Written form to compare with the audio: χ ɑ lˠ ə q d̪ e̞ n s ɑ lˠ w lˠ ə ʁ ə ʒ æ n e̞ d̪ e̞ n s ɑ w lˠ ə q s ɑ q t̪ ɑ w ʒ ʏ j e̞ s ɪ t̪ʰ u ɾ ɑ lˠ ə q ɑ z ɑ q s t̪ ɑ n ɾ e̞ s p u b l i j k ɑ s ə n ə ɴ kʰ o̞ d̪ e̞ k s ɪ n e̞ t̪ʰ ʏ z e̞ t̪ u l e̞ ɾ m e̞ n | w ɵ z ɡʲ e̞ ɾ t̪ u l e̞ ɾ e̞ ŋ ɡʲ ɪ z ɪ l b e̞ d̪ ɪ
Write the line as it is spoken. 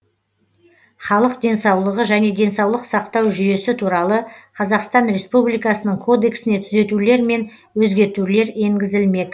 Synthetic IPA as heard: χ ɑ lˠ ə q d̪ e̞ n s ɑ w lˠ ə ʁ ə ʒ æ n e̞ d̪ e̞ n s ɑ w lˠ ə q s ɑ q t̪ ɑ w ʒ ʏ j e̞ s ɪ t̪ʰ u ɾ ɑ lˠ ə qʰ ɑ z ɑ q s t̪ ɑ n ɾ e̞ s p u b l i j k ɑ s ə n ə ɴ kʰ o̞ d̪ e̞ k s ɪ n e̞ t̪ʰ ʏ z e̞ t̪ u l e̞ ɾ m e̞ n | w ɵ z ɡʲ e̞ ɾ t̪ u l e̞ ɾ e̞ ŋ ɡʲ ɪ z ɪ l m e̞ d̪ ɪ